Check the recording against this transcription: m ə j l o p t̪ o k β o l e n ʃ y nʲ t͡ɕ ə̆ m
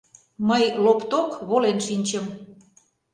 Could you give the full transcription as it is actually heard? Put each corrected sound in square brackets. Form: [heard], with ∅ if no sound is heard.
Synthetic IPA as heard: m ə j l o p t̪ o k β o l e n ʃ [i] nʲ t͡ɕ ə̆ m